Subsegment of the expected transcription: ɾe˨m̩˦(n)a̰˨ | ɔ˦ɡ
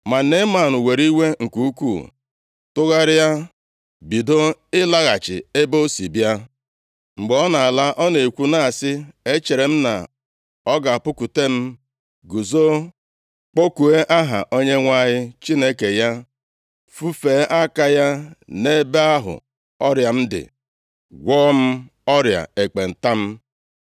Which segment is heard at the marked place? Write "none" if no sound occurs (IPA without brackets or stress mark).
n